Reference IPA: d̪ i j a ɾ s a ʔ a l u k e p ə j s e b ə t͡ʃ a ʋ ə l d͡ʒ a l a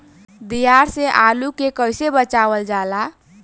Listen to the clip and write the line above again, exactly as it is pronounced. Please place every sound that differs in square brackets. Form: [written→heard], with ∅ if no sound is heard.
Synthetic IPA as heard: d̪ i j a ɾ s [a→e] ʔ a l u k e [p→k] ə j s e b ə t͡ʃ a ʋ ə l d͡ʒ a l a